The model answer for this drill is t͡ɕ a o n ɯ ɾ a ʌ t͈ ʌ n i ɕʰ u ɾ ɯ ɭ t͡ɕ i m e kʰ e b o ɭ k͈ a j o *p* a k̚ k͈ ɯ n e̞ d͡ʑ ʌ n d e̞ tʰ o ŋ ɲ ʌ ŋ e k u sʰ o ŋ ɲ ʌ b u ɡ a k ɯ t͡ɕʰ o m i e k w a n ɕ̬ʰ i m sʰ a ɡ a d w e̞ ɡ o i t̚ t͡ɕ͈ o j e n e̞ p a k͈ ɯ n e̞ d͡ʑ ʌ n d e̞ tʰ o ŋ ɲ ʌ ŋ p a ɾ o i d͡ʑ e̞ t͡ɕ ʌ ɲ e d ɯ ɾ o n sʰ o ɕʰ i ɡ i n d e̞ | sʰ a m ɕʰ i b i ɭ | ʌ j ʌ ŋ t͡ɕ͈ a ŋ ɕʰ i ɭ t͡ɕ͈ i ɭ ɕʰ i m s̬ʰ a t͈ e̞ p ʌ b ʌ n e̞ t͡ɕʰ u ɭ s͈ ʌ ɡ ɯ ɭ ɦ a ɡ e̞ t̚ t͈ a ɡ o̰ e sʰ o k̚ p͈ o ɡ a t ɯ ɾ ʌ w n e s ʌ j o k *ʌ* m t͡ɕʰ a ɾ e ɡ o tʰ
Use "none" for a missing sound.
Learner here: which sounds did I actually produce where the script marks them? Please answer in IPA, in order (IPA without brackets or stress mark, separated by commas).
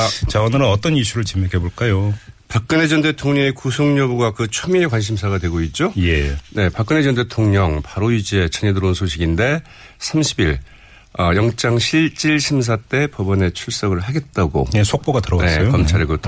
p, ʌ